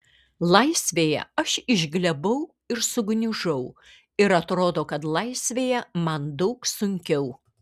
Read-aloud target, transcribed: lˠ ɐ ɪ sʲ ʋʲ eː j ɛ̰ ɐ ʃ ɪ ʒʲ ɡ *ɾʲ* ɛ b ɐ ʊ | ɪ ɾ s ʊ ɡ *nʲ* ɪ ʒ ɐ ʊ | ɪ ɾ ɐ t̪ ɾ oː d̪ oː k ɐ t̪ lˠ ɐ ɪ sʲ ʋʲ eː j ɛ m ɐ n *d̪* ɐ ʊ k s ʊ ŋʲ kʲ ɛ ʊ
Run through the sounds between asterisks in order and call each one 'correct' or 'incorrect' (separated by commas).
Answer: incorrect, correct, correct